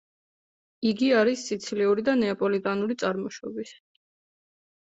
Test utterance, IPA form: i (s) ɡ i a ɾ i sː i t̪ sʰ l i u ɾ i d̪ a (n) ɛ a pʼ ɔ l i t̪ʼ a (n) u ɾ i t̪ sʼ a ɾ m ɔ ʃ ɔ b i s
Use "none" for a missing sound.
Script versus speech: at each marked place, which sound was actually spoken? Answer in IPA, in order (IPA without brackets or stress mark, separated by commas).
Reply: none, n, n